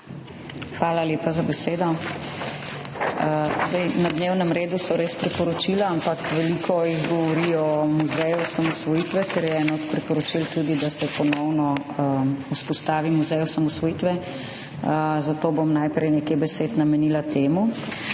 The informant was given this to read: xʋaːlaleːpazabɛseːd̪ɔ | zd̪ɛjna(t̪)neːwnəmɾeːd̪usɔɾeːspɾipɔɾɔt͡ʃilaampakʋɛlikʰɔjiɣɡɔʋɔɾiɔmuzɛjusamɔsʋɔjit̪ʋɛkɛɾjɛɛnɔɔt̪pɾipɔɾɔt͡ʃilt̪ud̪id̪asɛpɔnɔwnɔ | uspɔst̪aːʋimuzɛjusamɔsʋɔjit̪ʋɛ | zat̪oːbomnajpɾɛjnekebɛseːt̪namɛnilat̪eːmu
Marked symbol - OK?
no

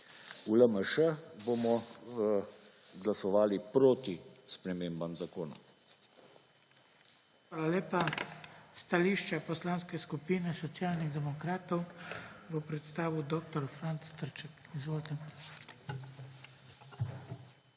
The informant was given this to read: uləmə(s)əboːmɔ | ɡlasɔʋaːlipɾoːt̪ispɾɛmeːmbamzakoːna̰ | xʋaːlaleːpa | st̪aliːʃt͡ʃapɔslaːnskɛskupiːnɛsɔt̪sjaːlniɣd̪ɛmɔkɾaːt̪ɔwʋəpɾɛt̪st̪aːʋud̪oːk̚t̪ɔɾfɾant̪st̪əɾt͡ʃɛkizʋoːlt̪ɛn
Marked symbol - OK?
no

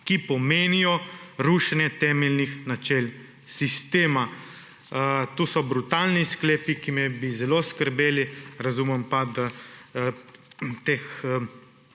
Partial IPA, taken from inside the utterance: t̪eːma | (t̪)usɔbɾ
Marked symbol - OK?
yes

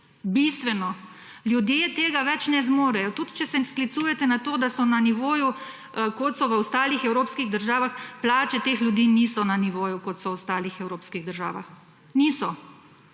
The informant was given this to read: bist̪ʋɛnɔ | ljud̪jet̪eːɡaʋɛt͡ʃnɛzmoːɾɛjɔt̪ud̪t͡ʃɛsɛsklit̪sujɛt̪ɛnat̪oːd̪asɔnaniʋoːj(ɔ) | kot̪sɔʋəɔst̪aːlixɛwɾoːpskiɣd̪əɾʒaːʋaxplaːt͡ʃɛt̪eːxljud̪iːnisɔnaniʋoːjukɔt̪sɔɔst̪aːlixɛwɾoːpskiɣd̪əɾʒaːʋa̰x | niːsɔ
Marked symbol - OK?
no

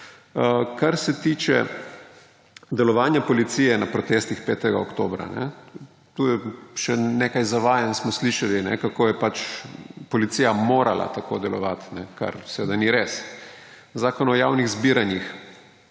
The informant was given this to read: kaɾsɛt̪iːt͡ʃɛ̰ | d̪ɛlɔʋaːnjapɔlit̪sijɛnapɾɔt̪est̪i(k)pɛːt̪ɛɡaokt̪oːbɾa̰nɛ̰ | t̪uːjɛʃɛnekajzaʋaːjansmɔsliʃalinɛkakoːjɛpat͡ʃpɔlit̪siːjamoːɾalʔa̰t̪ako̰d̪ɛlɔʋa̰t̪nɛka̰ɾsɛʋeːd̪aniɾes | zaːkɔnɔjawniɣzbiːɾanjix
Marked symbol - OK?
no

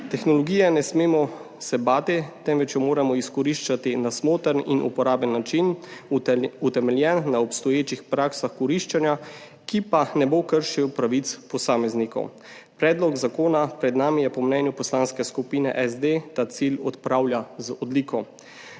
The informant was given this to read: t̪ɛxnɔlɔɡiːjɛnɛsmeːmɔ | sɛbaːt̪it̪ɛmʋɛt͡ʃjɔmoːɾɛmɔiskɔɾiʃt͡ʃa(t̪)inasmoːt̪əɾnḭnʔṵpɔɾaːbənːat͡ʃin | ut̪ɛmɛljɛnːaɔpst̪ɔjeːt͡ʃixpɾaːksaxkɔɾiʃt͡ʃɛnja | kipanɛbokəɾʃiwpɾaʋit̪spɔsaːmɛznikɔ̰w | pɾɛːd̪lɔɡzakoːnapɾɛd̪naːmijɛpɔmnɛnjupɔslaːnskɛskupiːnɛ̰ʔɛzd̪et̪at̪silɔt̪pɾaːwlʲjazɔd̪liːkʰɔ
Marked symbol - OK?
yes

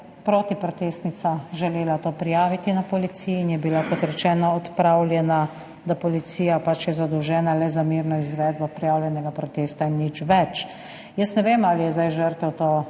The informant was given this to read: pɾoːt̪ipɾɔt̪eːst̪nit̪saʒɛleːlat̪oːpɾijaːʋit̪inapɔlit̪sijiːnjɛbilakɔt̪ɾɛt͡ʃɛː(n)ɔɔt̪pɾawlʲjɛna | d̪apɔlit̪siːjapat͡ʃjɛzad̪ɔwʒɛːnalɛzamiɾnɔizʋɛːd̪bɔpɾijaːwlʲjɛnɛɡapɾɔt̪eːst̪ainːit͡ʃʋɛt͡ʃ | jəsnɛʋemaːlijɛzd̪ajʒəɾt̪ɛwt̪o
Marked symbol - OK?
yes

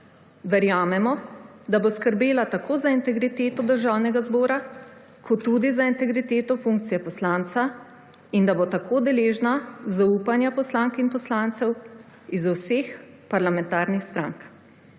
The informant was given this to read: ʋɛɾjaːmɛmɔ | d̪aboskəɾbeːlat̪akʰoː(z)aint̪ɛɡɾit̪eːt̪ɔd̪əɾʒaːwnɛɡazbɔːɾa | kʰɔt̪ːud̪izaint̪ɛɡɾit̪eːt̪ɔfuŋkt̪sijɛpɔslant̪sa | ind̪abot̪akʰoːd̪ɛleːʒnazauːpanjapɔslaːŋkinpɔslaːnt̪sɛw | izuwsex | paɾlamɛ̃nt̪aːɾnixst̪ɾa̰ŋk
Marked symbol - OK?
yes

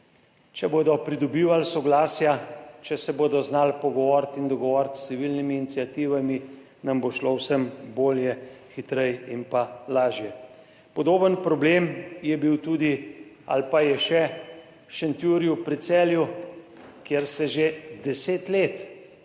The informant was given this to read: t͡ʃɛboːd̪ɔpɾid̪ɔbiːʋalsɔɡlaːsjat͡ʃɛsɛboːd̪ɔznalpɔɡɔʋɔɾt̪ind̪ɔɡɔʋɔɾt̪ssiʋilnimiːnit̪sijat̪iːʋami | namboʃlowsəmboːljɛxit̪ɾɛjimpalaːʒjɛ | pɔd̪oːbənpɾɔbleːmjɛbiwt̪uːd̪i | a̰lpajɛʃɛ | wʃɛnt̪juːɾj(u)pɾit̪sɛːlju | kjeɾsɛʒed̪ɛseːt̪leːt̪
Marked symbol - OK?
yes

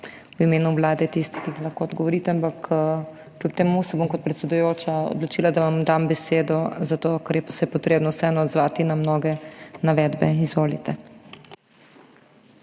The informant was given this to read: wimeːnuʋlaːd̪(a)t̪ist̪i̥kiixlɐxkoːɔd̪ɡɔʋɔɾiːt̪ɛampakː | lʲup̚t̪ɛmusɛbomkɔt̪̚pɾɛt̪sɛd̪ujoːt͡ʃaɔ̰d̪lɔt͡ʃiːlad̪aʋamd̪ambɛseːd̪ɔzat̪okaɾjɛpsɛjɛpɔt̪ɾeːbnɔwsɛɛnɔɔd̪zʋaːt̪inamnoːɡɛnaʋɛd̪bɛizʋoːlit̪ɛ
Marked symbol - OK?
no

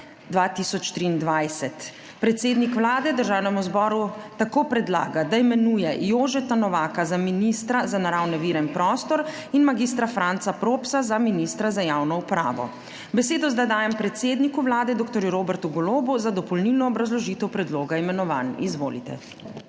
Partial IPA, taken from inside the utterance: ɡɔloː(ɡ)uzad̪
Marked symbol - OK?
no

